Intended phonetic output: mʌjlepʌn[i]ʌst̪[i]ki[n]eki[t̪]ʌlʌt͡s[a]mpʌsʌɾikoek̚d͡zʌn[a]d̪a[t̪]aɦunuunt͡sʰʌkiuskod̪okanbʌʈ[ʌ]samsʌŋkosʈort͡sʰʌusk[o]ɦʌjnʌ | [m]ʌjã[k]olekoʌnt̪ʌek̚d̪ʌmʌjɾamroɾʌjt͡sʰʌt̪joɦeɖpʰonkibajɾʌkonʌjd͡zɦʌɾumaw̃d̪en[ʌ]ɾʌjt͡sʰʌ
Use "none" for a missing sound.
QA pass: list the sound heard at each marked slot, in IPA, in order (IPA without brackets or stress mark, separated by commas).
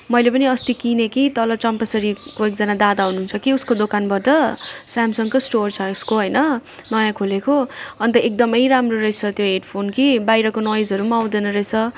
i, i, n, t̪, ʌ, a, d̪, ʌ, o, n, kʰ, ʌ